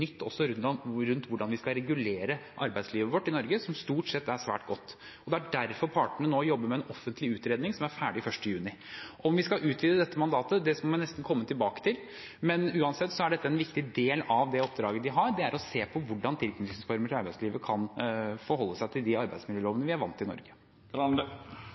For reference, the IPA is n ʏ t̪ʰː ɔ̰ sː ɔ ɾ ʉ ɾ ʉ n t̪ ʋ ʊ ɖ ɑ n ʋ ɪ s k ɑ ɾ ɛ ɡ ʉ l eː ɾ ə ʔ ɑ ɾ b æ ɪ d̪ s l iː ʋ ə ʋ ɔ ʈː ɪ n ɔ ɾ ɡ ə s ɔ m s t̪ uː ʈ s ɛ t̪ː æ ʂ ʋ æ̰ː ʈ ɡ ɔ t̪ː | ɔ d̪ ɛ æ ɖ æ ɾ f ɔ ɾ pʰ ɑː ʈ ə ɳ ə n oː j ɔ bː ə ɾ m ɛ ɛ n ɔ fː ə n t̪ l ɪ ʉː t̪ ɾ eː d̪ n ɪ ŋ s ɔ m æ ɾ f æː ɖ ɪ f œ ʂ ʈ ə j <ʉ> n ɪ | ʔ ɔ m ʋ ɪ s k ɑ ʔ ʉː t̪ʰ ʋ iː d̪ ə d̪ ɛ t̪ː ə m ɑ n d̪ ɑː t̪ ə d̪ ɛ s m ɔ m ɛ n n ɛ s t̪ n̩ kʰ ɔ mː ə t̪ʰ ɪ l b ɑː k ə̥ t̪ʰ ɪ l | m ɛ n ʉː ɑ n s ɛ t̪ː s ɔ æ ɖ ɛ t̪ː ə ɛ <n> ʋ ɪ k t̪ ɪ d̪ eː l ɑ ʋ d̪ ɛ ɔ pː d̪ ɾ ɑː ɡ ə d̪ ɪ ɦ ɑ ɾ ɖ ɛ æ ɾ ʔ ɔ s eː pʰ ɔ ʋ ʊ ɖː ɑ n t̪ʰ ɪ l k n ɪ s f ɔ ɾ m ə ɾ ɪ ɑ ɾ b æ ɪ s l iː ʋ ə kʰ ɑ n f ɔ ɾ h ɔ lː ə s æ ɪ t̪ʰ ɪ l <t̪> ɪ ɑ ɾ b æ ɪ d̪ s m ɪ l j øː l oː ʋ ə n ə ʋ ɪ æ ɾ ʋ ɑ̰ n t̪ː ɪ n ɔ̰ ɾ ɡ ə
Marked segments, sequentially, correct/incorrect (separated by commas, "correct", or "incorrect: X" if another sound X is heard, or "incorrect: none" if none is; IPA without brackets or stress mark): incorrect: ʉː, correct, incorrect: d̪